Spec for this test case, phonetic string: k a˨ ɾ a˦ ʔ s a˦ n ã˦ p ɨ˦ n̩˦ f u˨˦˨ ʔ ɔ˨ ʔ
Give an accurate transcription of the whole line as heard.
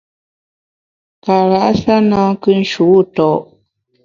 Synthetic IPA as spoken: k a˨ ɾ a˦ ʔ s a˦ n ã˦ k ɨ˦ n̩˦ ʃ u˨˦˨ t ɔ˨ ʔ